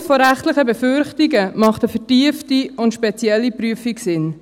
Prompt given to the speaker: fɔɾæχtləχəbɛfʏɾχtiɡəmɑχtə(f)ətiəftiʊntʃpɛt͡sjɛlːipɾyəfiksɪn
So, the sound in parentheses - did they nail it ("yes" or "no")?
yes